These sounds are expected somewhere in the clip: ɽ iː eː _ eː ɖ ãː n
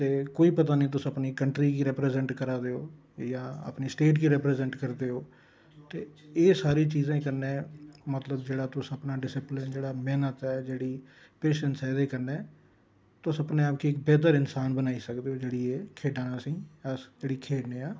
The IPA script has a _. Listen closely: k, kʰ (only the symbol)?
kʰ